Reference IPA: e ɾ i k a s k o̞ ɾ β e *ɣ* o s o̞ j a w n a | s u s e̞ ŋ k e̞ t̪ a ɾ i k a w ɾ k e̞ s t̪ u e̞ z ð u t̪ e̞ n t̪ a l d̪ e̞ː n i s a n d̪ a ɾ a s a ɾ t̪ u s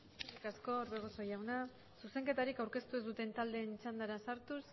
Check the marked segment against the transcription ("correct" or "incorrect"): correct